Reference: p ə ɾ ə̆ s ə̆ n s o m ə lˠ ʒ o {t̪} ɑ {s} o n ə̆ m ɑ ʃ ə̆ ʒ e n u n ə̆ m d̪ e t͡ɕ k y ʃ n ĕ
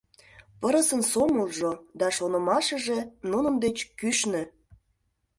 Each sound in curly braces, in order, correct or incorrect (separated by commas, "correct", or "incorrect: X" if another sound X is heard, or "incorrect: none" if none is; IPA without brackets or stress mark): incorrect: d̪, incorrect: ʃ